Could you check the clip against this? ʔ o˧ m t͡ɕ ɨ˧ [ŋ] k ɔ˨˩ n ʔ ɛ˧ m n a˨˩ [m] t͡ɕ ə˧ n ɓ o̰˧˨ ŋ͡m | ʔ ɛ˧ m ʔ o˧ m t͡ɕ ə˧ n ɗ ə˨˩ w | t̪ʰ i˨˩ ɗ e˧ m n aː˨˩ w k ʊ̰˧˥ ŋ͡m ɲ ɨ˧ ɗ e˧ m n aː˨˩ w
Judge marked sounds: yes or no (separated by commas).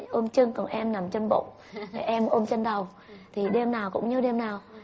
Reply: yes, yes